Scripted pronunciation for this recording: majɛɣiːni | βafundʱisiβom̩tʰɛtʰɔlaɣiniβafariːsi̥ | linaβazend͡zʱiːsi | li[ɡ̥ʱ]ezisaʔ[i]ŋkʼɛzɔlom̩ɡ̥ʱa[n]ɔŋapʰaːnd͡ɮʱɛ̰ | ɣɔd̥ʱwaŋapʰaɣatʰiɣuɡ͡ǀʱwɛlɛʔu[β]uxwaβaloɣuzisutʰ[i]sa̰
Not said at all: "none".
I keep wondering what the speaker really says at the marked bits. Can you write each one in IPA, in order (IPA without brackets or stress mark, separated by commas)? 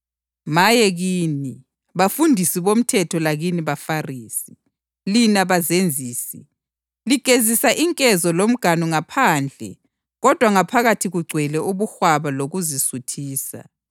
ɡ̥ʱ, i, n, β, iː